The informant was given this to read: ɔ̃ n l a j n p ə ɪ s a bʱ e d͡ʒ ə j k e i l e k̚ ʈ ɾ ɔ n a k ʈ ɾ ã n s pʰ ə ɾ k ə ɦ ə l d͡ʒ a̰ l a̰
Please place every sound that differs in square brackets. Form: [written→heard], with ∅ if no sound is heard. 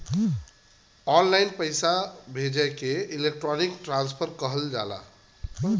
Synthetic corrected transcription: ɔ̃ n l a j n p ə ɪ s a bʱ e d͡ʒ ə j k e i l e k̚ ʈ ɾ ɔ n [a→i] k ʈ ɾ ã n s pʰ ə ɾ k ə ɦ ə l d͡ʒ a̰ l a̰